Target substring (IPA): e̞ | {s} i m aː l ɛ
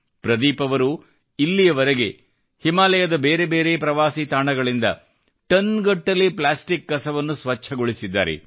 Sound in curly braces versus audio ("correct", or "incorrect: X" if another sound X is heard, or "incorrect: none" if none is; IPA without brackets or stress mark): incorrect: h